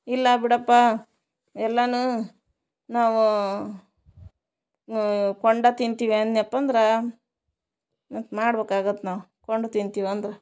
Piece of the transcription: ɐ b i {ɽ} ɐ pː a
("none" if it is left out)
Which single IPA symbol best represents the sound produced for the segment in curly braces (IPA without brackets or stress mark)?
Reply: ɽ